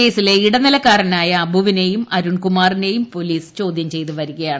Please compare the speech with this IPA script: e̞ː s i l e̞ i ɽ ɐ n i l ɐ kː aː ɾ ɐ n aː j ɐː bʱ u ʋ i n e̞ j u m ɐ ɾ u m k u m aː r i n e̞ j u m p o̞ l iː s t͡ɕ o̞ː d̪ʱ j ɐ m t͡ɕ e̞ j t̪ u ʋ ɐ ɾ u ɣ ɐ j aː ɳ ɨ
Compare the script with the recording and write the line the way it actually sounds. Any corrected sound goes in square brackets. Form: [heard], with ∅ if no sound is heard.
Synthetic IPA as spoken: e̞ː s i l e̞ i ɽ ɐ n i l ɐ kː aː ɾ ɐ n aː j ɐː bʱ u ʋ i n e̞ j u m ɐ ɾ u [ɳ] k u m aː r i n e̞ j u m p o̞ l iː s t͡ɕ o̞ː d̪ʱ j ɐ m t͡ɕ e̞ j t̪ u ʋ ɐ ɾ u ɣ ɐ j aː ɳ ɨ